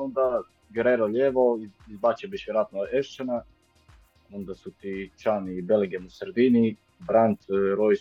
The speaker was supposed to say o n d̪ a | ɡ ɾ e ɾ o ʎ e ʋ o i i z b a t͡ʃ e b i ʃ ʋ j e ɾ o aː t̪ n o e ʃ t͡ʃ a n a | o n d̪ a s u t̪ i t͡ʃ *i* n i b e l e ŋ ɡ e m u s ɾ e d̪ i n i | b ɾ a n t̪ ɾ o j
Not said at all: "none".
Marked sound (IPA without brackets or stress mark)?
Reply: a